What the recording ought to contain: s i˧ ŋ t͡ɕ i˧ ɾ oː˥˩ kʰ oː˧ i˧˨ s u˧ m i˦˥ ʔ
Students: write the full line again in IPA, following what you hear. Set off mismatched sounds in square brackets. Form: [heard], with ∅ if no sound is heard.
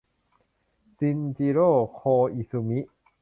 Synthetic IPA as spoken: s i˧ [n] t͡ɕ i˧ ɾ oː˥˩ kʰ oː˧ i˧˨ s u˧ m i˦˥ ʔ